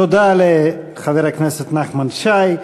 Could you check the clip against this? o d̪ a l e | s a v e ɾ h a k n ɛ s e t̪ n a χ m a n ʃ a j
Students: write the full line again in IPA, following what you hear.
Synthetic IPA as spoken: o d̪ a l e | χ a v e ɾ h a k n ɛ s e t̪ n a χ m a n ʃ a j

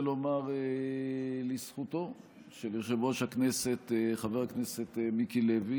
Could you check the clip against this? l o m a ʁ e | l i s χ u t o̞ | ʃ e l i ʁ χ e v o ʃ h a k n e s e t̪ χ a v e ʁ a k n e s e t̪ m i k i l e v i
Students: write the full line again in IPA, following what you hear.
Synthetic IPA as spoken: l o m a ʁ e | l i s χ u t o̞ | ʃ e l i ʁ ʃ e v o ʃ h a k n e s e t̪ χ a v e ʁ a k n e s e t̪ m i k i l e v i

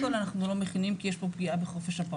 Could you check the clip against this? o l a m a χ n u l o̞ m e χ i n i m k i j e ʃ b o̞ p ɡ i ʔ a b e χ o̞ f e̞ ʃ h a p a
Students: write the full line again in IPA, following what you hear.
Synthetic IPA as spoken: o l a n a χ n u l o̞ m e χ i n i m k i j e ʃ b o̞ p ɡ i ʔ a b e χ o̞ f e̞ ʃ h a p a

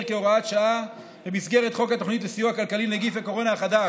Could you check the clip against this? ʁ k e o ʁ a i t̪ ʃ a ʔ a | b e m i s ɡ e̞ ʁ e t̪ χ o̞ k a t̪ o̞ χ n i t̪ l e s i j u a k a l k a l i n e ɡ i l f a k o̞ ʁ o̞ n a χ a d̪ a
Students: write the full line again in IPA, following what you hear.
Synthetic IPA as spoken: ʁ k e o ʁ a a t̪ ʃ a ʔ a | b e m i s ɡ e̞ ʁ e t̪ χ o̞ k a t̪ o̞ χ n i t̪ l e s i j u a k a l k a l i n e ɡ i f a k o̞ ʁ o̞ n a χ a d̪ a

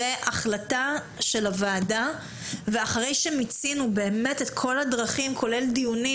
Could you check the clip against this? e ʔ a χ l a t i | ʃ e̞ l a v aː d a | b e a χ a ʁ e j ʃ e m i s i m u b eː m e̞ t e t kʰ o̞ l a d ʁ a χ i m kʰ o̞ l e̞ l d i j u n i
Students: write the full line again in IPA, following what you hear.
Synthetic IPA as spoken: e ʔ a χ l a t a | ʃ e̞ l a v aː d a | v e a χ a ʁ e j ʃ e m i t͡s i n u b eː m e̞ t e t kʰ o̞ l a d ʁ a χ i m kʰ o̞ l e̞ l d i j u n i

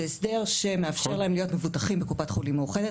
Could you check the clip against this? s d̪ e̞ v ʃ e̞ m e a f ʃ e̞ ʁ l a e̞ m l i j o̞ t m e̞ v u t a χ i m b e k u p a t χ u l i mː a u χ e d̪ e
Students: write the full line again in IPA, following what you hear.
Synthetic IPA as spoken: s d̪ e̞ ʁ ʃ e̞ m e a f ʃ e̞ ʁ l a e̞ m l i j o̞ t m e̞ v u t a χ i m b e k u p a t χ u l i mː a u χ e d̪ e

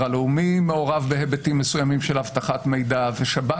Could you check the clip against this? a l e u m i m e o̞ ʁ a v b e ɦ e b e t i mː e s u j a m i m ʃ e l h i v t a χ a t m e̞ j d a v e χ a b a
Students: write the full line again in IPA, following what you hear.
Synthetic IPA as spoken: a l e u m i m e o̞ ʁ a v b e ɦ e b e t i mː e s u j a m i m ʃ e l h a v t a χ a t m e̞ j d a v e ʃ a b a

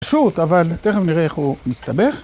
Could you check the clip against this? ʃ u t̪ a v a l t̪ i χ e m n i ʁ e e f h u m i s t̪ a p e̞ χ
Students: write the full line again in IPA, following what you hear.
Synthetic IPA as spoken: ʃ u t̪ a v a l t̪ e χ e m n i ʁ e e χ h u m i s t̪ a b e̞ χ

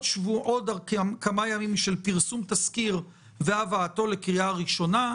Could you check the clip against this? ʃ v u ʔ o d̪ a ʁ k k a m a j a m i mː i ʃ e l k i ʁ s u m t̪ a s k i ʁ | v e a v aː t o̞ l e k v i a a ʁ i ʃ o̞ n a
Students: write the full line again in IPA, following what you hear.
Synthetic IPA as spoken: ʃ v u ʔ o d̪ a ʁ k k a m a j a m i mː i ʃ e l p i ʁ s u m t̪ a s k i ʁ | v e a v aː t o̞ l e k ʁ i a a ʁ i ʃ o̞ n a

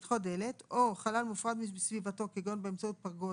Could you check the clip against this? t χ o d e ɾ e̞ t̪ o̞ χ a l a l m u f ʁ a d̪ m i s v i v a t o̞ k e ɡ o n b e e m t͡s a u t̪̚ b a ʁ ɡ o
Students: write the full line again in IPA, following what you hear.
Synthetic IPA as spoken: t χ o d e l e̞ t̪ o̞ χ a l a l m u f ʁ a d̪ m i s v i v a t o̞ k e ɡ o n b e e m t͡s a u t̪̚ p a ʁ ɡ o

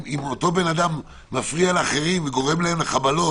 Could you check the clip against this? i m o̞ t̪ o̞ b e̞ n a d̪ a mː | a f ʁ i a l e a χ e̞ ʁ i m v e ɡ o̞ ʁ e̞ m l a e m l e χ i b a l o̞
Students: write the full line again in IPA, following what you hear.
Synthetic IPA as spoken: i m o̞ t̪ o̞ b e̞ n a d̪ a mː | a f ʁ i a l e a χ e̞ ʁ i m v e ɡ o̞ ʁ e̞ m l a e m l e χ a b a l o̞

